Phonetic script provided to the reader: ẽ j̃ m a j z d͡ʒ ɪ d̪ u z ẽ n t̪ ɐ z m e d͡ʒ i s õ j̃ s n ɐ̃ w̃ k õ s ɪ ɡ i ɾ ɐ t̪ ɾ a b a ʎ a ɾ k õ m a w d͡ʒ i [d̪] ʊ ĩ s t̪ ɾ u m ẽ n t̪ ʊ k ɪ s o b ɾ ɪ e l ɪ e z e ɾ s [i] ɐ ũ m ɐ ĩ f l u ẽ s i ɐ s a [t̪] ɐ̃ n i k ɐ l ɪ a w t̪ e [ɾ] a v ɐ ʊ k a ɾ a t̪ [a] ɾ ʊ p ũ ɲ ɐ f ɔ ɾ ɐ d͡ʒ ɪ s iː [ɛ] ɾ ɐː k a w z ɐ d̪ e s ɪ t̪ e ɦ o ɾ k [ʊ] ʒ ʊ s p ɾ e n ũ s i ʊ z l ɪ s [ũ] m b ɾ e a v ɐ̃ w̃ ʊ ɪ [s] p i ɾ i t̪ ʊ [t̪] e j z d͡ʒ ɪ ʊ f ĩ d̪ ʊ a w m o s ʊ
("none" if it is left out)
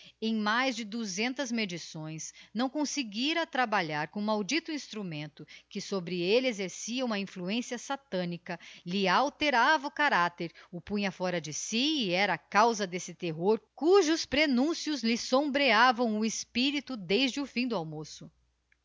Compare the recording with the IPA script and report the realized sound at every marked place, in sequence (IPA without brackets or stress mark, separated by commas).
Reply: t̪, i, t̪, ɾ, e, ɛ, u, õ, s, d̪